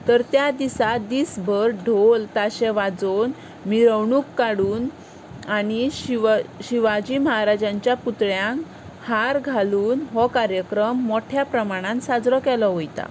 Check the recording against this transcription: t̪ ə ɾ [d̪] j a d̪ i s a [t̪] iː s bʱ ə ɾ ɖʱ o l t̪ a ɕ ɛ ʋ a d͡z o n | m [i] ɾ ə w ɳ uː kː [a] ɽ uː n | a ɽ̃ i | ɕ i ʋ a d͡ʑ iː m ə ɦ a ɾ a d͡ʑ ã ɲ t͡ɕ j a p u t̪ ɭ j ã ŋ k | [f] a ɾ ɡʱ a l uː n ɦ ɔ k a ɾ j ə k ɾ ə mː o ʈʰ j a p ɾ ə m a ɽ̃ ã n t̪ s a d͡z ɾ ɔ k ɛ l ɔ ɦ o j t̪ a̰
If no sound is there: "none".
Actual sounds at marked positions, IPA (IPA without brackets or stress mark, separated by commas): t̪, d̪, i, a, h